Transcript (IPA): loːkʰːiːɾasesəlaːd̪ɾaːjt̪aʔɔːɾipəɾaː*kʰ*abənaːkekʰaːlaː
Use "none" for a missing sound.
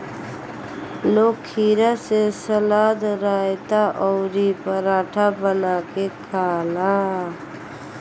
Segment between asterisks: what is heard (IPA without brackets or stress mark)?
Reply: ʈʰ